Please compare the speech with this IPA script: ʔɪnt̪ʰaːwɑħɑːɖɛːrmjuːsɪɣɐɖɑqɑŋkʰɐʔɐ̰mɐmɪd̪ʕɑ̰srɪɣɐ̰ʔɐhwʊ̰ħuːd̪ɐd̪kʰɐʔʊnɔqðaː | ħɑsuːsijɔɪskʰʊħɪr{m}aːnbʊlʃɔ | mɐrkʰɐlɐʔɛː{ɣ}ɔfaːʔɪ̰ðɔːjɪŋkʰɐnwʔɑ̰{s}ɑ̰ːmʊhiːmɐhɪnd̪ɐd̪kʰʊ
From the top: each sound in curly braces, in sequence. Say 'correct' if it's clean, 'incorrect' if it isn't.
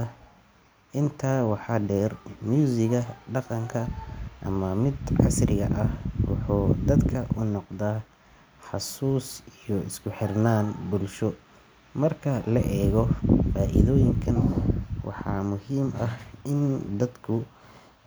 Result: incorrect: n, correct, incorrect: ħ

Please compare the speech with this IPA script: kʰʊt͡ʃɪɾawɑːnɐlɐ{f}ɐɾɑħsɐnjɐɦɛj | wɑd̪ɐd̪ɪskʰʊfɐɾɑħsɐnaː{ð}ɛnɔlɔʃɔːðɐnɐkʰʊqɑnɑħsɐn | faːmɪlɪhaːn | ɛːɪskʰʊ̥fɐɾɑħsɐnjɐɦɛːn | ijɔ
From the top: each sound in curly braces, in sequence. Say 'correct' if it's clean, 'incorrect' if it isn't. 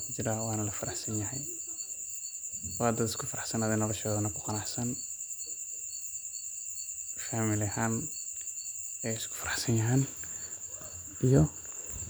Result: correct, correct

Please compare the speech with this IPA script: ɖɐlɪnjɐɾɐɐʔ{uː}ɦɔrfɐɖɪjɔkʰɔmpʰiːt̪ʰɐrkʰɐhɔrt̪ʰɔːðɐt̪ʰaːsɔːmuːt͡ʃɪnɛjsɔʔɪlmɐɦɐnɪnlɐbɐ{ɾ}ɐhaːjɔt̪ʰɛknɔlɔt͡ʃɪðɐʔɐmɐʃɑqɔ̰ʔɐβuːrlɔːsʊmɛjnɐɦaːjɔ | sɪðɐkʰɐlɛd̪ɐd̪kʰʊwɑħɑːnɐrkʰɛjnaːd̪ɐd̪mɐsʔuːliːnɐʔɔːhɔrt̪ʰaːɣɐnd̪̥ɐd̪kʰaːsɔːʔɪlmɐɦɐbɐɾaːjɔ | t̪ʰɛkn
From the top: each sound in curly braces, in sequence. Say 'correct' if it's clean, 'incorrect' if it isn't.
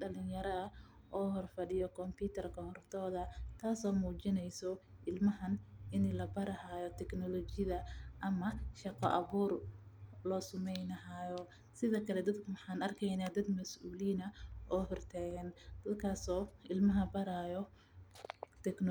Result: incorrect: ɔː, correct

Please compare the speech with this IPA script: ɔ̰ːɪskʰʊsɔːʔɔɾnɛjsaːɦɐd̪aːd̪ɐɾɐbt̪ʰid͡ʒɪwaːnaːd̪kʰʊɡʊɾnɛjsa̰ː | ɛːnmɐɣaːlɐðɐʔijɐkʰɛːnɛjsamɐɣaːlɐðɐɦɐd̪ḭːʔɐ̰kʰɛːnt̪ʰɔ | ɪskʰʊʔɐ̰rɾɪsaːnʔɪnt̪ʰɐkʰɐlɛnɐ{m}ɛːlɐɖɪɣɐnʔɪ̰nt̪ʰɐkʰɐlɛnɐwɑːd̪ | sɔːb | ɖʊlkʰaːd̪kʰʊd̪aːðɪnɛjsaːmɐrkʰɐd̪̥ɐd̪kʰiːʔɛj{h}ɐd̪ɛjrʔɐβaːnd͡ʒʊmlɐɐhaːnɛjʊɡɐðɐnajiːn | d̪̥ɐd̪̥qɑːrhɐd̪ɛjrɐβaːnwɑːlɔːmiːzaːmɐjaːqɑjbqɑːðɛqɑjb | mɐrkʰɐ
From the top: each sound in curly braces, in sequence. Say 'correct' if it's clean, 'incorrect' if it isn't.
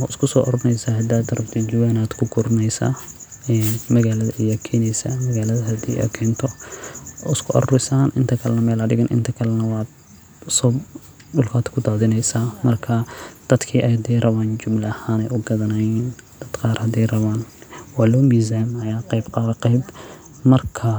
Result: correct, correct

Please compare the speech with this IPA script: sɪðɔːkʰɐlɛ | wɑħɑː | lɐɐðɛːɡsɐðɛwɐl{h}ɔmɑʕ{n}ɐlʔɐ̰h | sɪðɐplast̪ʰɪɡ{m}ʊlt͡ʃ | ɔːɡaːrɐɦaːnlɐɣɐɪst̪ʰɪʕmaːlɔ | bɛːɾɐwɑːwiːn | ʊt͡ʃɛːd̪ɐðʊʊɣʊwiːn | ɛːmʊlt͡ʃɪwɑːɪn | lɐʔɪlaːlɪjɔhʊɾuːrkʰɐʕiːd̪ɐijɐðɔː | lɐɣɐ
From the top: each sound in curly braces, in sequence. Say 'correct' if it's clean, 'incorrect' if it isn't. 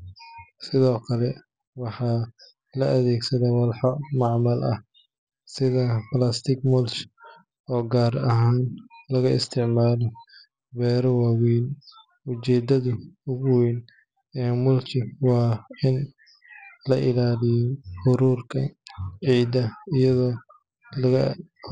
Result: incorrect: ħ, incorrect: m, correct

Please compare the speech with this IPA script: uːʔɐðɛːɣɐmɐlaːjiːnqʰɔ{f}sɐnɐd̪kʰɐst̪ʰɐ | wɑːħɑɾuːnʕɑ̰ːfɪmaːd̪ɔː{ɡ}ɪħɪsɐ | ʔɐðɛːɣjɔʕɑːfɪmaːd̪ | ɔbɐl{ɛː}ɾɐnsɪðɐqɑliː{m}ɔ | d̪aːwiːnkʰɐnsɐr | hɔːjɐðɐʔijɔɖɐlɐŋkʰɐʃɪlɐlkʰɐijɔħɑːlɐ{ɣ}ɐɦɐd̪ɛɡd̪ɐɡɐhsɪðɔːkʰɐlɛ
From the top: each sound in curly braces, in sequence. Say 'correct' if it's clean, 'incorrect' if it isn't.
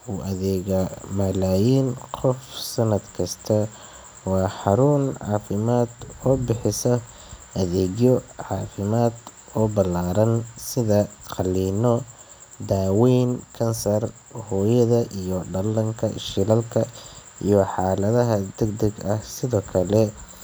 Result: correct, incorrect: b, incorrect: aː, incorrect: n, incorrect: ð

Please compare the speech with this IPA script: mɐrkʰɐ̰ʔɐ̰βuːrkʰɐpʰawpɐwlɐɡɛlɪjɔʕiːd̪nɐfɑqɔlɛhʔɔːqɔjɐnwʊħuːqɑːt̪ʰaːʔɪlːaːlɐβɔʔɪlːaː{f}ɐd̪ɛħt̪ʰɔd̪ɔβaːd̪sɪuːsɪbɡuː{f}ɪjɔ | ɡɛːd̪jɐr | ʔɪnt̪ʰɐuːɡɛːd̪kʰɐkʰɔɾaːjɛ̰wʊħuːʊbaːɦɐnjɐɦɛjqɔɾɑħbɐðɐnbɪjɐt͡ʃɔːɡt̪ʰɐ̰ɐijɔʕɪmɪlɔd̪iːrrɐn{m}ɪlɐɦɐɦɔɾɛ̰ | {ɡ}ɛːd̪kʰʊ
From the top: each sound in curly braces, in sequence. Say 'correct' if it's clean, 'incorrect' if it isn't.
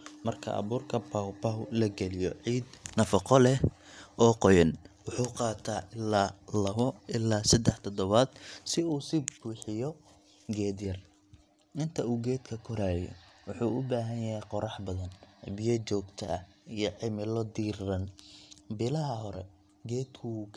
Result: incorrect: s, incorrect: ħ, incorrect: b, correct

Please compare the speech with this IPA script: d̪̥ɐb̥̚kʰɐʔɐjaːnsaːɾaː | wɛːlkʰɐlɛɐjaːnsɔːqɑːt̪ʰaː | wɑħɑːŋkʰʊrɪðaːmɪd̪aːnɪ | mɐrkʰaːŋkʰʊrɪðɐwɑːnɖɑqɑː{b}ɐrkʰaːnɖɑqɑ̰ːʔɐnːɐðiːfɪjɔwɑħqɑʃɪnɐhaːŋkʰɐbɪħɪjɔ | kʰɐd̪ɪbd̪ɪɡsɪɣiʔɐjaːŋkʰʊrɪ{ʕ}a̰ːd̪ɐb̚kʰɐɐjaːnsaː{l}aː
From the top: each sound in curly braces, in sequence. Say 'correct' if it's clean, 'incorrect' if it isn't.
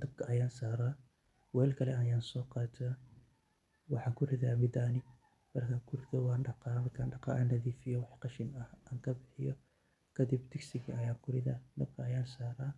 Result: incorrect: m, incorrect: ð, incorrect: ɾ

